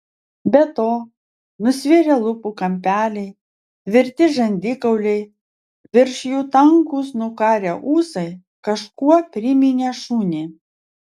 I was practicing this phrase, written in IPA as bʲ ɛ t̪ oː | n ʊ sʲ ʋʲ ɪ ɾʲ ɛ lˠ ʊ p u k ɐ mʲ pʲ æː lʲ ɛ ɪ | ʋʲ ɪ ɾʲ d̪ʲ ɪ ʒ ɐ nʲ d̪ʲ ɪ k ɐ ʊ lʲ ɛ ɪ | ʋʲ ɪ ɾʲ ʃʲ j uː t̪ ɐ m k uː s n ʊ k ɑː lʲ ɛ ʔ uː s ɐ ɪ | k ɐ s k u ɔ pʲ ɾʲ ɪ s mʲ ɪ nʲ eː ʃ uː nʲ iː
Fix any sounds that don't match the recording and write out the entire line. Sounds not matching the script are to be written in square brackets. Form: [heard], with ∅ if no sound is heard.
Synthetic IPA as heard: bʲ ɛ t̪ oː | n ʊ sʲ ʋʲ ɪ ɾʲ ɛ lˠ ʊ p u k ɐ mʲ pʲ æː lʲ ɛ ɪ | ʋʲ ɪ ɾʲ [t̪ʲ] ɪ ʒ ɐ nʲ d̪ʲ ɪ k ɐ ʊ lʲ ɛ ɪ | ʋʲ ɪ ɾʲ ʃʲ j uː t̪ ɐ [ŋ] k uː s n ʊ k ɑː [ɾʲ] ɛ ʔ uː s ɐ ɪ | k ɐ [ʃ] k u ɔ pʲ ɾʲ ɪ [∅] mʲ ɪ nʲ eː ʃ uː nʲ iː